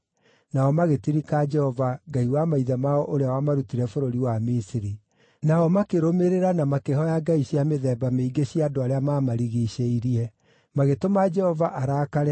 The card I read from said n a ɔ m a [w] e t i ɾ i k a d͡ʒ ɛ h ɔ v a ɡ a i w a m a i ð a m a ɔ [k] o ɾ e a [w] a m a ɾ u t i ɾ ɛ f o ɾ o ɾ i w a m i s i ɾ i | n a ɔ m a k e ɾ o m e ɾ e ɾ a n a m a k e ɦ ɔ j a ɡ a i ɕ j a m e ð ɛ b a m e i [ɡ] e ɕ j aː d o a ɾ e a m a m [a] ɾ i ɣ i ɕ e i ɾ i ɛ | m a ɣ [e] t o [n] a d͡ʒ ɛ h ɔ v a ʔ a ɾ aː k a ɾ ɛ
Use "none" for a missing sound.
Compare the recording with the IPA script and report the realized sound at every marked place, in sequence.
ɣ, ʔ, w, ɡ, a, e, m

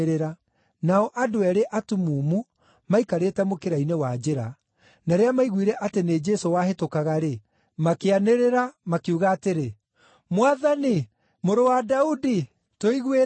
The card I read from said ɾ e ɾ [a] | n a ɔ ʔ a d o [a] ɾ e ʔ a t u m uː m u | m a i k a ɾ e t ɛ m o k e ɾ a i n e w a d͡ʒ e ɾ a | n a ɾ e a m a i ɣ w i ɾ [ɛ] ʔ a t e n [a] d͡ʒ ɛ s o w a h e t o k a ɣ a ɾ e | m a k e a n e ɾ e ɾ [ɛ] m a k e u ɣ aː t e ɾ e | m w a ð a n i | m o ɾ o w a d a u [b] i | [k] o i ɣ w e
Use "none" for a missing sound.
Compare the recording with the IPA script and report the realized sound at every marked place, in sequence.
a, ɛ, ɛ, e, a, d, t

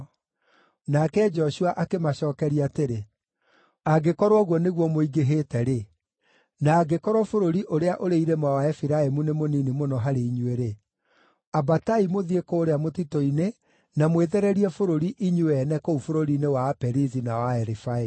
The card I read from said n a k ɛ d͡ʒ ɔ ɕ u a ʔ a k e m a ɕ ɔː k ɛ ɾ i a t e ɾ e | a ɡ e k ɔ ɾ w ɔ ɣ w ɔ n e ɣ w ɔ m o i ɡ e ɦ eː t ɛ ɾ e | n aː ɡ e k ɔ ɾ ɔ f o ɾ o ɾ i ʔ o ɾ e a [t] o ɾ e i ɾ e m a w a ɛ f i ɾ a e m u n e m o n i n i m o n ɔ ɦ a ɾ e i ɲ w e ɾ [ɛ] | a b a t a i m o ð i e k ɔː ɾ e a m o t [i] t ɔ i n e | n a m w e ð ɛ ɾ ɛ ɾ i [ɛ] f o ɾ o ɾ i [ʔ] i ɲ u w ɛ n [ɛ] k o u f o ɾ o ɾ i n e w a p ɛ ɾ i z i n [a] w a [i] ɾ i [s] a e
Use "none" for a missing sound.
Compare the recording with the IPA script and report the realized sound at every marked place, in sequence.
ʔ, e, i, ɛ, ʔ, ɛ, a, ɛ, f

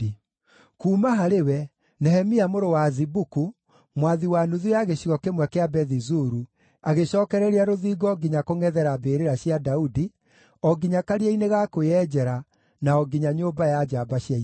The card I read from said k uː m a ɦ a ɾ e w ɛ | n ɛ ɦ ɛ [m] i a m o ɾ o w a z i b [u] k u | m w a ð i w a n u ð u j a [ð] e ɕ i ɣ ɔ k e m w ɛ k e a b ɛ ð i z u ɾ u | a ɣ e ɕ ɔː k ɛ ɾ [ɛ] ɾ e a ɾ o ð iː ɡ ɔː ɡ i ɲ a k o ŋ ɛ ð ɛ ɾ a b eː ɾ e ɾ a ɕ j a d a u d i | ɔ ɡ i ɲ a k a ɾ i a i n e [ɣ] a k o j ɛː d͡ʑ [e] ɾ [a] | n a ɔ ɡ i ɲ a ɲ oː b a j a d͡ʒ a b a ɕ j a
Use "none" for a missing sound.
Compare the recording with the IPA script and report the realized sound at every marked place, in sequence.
m, u, ɣ, ɛ, ɣ, ɛ, a

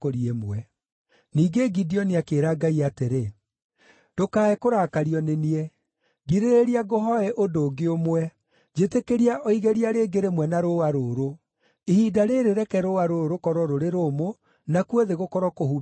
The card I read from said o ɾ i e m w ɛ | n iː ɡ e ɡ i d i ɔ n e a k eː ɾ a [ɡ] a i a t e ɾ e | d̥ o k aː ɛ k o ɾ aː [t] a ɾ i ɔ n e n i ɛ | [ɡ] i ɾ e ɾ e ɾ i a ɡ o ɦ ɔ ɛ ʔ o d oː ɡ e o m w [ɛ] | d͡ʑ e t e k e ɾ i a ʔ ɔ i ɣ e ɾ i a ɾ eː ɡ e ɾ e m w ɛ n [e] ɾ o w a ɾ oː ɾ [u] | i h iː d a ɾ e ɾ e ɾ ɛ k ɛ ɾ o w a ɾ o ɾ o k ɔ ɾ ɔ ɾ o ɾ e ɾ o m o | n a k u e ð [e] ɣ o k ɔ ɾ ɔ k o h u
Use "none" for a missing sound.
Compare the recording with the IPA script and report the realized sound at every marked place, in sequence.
ɡ, k, ɡ, ɛ, a, o, e

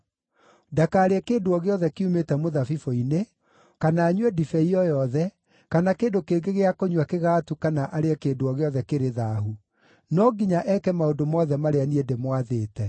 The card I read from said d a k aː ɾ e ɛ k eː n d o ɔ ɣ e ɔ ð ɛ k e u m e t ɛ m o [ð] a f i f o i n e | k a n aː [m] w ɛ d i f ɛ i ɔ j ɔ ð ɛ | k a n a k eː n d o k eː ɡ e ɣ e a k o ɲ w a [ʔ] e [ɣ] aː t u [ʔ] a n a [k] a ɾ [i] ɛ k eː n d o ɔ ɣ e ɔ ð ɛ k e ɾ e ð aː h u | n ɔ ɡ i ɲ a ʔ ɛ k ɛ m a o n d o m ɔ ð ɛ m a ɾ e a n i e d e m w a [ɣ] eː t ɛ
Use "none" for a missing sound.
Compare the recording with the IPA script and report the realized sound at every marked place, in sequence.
ð, ɲ, k, ɣ, k, ʔ, e, ð

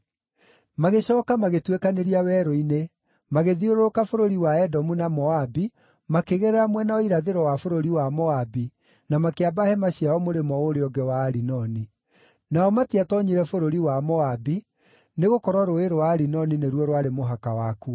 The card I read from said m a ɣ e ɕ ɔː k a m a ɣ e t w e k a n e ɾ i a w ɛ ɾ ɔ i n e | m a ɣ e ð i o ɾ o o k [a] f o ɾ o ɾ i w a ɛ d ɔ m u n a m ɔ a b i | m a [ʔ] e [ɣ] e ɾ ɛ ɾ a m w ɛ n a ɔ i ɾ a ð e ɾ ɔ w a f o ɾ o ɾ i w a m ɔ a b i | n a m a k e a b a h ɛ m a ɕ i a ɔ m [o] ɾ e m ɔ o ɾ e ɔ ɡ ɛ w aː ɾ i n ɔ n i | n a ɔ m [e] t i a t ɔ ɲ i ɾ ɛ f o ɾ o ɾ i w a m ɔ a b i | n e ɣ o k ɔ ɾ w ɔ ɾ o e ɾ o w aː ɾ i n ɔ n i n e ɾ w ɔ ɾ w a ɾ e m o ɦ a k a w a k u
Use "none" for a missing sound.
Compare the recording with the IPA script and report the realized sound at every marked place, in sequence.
a, k, ɣ, o, a

